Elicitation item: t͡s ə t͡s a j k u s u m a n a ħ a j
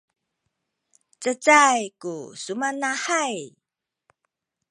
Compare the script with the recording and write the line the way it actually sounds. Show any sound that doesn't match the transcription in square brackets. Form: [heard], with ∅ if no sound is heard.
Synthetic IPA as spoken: t͡s ə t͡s a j k u s u m a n a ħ a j